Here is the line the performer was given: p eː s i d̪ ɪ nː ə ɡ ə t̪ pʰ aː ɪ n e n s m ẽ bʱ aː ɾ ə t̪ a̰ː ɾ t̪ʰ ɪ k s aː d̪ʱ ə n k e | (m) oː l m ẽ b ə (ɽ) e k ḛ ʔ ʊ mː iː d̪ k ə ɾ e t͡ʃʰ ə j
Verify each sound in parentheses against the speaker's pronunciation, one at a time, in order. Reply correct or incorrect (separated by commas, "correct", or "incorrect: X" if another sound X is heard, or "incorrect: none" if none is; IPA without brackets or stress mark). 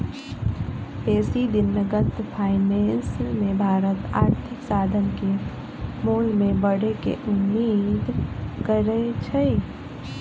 correct, correct